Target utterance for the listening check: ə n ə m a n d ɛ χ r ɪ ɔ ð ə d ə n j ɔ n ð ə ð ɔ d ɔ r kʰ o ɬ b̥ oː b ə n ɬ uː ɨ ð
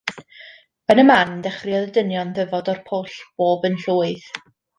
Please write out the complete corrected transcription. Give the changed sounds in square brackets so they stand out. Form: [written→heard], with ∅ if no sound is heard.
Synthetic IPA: ə n ə m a n d ɛ χ r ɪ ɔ ð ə d ə n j ɔ n ð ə [ð→v] ɔ d ɔ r [kʰ→pʰ] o ɬ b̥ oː b ə n ɬ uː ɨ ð